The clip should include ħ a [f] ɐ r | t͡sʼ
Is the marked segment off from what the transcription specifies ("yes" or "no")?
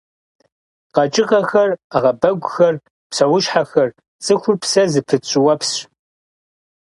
yes